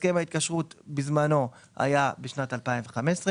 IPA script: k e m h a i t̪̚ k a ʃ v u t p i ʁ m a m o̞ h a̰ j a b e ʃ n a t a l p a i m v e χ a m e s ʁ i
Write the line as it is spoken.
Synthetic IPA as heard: k e m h a i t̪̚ k a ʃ ʁ u t b i z m a n o̞ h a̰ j a b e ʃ n a t a l p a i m v e χ a m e s ʁ e